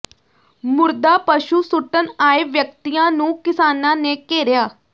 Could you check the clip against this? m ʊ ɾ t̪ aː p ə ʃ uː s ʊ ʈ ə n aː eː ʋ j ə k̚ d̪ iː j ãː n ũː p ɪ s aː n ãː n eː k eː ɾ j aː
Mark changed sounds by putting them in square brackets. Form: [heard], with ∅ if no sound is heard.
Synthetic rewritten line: m ʊ ɾ [d̪] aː p ə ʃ uː s ʊ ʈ ə n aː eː ʋ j ə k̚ [t̪] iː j ãː n ũː [k] ɪ s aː n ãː n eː k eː ɾ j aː